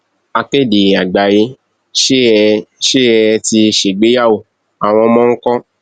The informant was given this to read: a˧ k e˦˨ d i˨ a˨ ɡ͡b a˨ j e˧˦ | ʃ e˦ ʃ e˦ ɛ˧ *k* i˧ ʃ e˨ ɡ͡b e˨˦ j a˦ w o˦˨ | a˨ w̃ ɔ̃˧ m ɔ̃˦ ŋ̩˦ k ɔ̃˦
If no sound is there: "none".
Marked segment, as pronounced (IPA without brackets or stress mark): t